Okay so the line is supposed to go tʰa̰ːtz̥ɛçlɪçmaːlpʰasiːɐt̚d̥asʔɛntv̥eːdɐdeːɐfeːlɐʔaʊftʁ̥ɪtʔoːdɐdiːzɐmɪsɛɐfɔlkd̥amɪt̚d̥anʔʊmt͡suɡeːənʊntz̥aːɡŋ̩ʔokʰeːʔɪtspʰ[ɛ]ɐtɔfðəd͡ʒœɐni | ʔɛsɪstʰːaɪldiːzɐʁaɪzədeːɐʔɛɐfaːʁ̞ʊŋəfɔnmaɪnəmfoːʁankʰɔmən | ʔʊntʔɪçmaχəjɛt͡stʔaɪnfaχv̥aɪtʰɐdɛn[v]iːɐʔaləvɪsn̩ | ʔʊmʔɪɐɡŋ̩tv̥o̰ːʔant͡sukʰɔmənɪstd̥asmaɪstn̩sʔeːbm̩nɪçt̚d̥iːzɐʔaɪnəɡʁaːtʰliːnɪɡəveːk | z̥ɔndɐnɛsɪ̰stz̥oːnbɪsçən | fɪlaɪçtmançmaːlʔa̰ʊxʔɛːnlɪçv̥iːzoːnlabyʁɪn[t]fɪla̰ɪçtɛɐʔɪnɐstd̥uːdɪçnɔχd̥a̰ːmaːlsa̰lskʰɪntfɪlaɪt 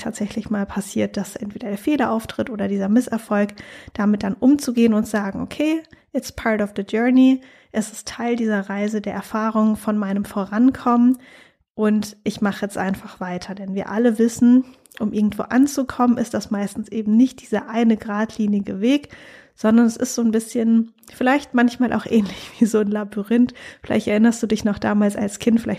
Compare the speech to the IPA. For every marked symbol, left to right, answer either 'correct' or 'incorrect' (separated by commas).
incorrect, correct, correct